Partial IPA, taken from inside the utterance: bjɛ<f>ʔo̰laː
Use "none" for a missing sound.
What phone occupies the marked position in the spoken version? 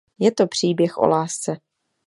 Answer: x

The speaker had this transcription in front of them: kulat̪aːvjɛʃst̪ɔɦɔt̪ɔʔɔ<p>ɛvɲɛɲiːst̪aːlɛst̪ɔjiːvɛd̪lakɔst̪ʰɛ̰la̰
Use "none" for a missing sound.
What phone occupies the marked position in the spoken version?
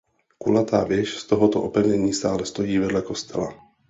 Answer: p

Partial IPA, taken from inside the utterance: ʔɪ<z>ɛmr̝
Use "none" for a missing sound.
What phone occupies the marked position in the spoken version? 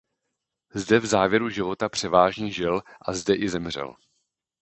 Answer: z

